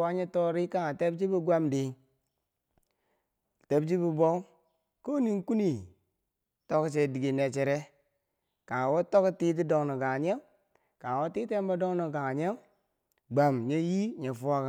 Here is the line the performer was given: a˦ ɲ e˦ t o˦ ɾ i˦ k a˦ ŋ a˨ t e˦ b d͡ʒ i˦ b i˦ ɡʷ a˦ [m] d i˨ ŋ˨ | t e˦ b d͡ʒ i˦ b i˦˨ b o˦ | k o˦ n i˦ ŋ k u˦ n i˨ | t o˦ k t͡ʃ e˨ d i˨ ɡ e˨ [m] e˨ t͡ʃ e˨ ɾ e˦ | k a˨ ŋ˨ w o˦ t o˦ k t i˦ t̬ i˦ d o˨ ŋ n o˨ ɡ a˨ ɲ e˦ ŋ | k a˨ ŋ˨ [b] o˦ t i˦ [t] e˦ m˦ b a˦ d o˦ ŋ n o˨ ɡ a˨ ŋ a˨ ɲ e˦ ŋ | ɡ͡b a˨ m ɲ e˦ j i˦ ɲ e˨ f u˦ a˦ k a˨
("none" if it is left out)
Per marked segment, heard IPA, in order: m, n, w, t

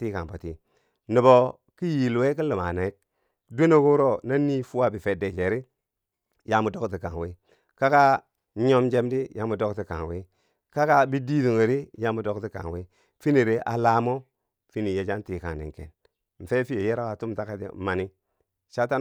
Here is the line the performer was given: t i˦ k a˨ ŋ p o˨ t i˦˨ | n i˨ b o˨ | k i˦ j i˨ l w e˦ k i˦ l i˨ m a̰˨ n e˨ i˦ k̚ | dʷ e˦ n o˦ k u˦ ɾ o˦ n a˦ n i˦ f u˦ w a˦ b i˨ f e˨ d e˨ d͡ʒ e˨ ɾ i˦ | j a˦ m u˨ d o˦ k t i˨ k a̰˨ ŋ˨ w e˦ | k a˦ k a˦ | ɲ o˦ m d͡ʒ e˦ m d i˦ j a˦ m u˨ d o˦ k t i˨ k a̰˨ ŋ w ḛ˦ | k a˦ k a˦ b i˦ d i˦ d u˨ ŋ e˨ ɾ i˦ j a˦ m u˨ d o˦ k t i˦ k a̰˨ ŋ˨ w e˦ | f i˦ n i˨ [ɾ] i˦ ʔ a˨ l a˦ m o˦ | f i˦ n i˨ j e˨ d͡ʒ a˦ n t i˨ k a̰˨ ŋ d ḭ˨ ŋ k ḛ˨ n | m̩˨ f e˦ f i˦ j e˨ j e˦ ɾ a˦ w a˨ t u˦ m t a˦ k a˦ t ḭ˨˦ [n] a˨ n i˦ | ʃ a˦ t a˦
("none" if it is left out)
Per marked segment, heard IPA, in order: ɾ, m

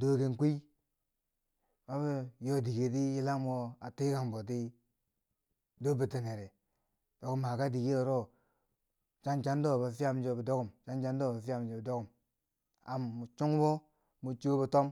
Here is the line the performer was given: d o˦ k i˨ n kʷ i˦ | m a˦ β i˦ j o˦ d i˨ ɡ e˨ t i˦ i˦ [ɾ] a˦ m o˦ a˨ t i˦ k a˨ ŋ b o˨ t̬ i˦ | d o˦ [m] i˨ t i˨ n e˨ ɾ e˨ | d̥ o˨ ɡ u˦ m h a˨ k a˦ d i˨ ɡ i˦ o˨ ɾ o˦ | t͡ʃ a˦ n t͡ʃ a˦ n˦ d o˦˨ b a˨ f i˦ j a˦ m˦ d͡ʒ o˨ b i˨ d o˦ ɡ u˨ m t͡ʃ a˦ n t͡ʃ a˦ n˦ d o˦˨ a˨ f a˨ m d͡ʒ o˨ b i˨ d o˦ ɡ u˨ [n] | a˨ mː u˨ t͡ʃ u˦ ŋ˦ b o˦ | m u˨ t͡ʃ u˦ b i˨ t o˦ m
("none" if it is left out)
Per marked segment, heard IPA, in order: l, b, m

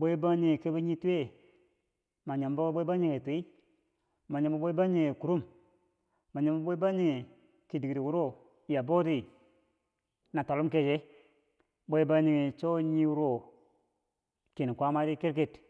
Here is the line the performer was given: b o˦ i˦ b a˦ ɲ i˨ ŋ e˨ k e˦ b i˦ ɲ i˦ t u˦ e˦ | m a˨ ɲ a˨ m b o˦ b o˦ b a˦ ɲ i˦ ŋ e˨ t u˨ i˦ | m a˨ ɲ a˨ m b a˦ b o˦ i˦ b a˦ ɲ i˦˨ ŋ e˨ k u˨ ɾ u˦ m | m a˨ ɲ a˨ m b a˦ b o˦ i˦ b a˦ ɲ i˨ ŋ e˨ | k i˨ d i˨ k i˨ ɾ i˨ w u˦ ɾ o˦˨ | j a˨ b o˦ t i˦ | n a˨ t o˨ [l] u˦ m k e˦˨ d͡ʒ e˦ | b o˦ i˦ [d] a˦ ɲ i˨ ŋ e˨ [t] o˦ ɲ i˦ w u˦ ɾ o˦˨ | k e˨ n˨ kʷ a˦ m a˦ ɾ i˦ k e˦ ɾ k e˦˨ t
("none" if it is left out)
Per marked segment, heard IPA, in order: l, b, t͡ʃ

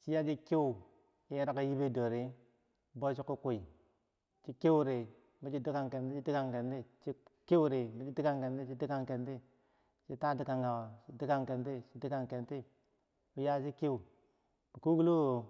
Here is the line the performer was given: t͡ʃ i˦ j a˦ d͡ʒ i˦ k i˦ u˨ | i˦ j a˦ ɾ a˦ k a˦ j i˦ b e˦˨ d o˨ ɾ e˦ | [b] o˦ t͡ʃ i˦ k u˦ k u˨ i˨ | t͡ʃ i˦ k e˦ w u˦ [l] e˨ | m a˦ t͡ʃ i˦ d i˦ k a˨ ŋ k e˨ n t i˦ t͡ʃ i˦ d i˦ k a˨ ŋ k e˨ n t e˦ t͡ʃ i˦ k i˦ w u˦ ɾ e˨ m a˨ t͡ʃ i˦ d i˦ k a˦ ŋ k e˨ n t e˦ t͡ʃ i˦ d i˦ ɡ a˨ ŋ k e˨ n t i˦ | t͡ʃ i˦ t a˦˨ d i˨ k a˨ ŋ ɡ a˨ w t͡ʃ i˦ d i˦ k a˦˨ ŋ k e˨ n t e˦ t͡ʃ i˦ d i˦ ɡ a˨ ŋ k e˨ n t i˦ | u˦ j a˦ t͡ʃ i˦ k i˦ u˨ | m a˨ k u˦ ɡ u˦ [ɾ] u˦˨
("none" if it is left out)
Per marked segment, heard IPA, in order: b, ɾ, l

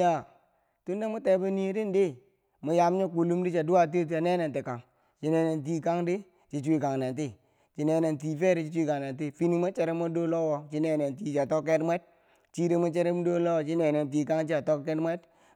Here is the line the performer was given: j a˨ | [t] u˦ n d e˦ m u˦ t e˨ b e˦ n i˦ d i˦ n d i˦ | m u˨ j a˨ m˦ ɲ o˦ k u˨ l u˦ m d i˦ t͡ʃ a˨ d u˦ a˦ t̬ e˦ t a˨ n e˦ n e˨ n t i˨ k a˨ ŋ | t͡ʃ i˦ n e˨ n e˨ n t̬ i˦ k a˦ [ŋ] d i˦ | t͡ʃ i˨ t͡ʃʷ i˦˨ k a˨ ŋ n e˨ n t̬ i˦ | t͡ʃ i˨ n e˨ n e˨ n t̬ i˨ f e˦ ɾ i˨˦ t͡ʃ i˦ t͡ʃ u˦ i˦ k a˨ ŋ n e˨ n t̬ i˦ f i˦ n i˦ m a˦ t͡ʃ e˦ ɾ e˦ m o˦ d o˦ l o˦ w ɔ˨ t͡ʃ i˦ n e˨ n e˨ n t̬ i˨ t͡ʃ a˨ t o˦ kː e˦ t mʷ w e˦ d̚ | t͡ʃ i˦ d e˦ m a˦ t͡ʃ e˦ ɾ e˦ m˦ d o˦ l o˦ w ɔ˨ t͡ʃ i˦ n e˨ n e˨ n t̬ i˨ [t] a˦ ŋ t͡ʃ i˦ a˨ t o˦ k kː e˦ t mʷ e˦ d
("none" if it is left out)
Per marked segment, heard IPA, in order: t, ŋ, k

